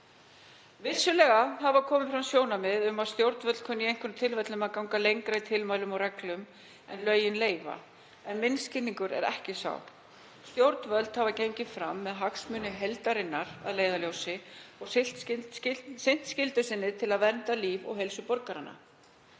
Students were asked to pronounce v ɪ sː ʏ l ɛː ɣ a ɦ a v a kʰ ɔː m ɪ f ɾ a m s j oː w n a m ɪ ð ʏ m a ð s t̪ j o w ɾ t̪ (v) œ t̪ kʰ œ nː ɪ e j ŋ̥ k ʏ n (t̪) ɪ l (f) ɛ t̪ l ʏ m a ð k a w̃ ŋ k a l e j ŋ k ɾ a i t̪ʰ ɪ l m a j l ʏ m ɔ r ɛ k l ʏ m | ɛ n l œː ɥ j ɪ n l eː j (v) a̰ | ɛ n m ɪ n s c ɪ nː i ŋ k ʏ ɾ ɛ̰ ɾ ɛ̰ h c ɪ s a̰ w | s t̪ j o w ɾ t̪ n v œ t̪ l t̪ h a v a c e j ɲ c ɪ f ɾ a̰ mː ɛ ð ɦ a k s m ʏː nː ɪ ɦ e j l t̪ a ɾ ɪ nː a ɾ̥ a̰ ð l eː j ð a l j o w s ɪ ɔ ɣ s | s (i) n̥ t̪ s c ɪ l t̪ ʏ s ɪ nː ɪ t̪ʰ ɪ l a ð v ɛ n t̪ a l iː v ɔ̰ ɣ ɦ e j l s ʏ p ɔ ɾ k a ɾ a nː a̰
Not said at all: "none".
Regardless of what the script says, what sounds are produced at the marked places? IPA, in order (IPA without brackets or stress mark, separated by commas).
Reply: v, t̪ʰ, v, v, ɪ